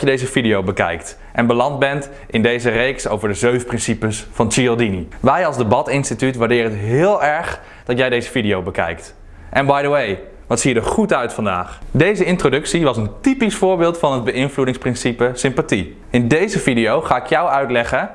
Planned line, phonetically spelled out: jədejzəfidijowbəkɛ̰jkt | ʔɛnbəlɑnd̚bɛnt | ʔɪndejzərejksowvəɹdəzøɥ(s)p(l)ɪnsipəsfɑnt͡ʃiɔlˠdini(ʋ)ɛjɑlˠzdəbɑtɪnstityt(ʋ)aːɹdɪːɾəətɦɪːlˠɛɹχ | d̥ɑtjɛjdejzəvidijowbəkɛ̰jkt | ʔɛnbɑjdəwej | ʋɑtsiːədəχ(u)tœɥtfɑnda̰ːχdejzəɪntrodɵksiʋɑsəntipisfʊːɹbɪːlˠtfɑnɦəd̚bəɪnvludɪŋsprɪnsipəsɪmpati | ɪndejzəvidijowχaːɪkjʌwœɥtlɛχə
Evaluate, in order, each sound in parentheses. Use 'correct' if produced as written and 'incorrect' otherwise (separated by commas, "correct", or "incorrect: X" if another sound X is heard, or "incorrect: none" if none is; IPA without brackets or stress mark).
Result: incorrect: f, incorrect: r, correct, correct, correct